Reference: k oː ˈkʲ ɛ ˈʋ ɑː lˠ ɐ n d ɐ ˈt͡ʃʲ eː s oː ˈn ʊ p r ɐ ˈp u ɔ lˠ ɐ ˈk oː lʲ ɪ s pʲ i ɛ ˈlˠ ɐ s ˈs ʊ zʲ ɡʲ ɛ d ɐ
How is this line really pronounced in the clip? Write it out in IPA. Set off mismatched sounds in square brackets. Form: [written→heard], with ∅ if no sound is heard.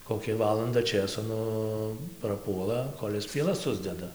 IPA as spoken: k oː ˈkʲ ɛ ˈʋ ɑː lˠ ɐ n d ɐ ˈt͡ʃʲ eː s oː ˈn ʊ p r ɐ ˈp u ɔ lˠ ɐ ˈk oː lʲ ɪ s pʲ i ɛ ˈlˠ ɐ s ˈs ʊ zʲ [ɡʲ→dʲ] ɛ d ɐ